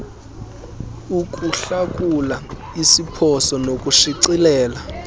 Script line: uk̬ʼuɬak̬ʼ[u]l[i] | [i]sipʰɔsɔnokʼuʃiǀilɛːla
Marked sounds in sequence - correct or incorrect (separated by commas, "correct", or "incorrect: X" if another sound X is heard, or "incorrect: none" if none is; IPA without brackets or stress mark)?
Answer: correct, incorrect: a, correct